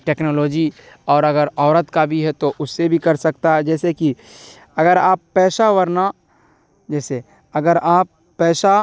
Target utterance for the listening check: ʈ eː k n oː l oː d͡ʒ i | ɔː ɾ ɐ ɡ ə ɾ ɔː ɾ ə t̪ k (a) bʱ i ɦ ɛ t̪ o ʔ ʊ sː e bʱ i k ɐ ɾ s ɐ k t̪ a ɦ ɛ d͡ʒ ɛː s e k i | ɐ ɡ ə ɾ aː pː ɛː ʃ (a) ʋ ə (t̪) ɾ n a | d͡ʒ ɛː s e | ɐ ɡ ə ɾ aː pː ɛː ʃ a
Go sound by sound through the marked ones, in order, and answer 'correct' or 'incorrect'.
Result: correct, correct, incorrect: none

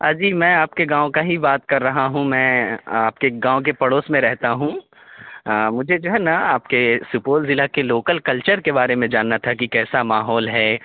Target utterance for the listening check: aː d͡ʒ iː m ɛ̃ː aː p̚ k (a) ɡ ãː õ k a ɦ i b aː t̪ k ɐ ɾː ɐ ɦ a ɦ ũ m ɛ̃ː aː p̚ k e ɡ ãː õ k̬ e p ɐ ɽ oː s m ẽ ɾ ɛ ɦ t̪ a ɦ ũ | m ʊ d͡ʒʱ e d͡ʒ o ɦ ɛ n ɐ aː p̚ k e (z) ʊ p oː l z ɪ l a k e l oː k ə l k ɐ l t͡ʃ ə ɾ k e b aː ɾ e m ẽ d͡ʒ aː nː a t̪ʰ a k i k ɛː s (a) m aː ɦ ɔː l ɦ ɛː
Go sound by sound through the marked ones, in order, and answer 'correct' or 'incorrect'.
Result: incorrect: e, incorrect: s, correct

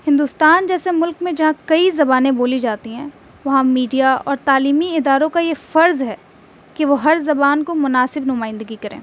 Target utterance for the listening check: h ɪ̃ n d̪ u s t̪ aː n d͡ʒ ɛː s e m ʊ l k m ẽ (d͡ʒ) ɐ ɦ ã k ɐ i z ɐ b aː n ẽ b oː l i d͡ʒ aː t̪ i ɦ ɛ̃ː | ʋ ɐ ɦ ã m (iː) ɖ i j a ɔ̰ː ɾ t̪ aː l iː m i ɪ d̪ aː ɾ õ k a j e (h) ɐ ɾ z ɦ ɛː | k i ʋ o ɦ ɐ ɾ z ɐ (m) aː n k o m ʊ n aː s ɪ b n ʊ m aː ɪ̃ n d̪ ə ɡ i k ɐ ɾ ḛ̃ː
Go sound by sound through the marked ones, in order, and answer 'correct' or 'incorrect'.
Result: correct, correct, incorrect: f, incorrect: b

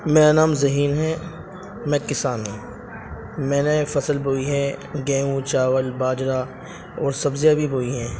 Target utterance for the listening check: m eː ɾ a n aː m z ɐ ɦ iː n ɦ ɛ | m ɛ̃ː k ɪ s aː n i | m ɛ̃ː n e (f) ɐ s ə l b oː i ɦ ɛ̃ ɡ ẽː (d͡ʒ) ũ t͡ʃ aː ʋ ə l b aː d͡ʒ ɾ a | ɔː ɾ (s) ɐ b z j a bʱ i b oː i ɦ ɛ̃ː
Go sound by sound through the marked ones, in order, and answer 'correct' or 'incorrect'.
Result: correct, incorrect: none, correct

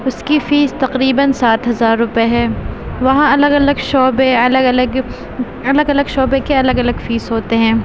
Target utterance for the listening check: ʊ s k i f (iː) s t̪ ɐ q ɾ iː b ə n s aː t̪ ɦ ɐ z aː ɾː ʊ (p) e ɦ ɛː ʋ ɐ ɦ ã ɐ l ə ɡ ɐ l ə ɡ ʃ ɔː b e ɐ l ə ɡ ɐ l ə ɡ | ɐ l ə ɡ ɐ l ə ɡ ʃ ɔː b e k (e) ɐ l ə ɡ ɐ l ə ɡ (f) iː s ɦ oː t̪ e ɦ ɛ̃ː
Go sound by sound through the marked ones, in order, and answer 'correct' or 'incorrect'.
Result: correct, correct, correct, correct

